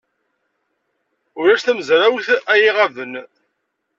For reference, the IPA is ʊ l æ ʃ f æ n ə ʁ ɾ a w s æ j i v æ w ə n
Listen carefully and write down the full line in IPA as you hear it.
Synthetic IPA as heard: ʊ ɾ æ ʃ θ æ m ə z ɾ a w θ æ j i ʁ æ v ə n